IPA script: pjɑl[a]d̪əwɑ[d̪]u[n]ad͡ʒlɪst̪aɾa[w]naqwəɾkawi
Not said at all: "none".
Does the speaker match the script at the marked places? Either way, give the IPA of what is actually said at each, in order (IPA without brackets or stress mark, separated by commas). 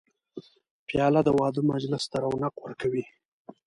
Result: a, d̪, m, w